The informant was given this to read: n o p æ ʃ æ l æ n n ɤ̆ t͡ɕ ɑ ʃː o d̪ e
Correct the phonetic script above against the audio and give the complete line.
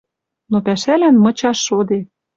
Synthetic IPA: n o p æ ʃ æ l æ n m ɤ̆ t͡ɕ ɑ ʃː o d̪ e